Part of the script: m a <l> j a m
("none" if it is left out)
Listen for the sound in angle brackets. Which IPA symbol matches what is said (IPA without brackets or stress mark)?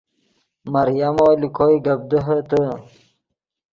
ɾ